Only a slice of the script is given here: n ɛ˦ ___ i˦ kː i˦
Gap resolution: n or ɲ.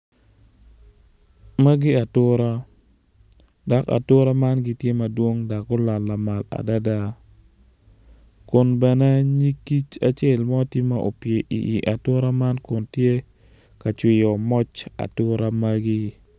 ɲ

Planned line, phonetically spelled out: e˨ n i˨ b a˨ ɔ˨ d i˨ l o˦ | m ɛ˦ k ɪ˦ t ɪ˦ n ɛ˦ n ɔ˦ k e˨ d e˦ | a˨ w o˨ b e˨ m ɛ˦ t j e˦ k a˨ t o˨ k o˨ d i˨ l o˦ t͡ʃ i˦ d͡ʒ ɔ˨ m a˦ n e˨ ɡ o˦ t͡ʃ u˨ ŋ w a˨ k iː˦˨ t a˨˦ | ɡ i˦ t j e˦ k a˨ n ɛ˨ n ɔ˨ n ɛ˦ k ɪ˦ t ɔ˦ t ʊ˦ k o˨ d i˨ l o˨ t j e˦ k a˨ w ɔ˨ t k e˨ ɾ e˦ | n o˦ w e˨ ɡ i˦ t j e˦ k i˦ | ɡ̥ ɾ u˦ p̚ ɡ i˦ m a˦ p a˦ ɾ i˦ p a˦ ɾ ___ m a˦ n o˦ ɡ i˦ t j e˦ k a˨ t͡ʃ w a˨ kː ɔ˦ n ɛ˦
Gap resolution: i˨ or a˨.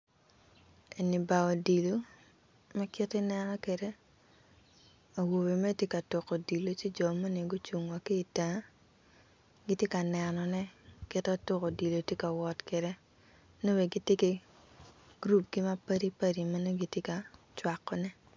i˨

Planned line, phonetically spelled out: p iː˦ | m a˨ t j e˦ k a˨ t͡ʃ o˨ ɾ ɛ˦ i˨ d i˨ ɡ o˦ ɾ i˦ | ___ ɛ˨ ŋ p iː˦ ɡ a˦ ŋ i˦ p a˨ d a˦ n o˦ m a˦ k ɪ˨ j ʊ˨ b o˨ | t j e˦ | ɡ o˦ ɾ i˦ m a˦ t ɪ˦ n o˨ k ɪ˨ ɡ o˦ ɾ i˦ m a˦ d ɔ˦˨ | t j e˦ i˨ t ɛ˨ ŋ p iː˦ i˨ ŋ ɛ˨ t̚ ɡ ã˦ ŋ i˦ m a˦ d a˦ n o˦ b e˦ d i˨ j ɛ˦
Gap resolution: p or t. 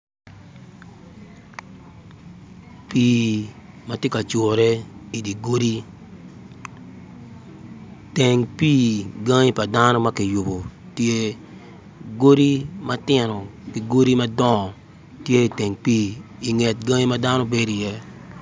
t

